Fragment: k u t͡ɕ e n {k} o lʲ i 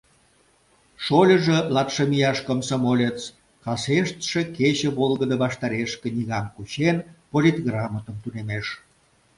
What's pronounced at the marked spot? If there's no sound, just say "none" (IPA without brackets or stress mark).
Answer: p